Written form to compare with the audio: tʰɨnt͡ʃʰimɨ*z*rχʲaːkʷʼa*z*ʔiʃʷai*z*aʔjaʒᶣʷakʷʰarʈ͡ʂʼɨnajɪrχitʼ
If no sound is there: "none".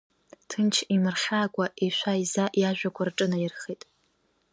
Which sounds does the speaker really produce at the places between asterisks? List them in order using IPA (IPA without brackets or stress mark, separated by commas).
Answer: none, none, z